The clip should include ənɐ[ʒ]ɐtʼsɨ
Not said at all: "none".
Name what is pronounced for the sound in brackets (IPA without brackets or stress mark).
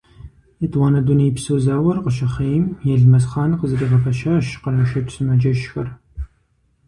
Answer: ʃ